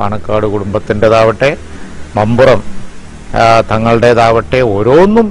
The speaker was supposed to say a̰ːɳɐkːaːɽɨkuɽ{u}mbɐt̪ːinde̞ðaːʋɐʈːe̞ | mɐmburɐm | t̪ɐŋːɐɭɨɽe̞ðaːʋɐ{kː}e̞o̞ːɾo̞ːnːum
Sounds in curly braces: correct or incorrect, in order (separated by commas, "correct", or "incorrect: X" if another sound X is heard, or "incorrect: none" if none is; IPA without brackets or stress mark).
correct, incorrect: ʈː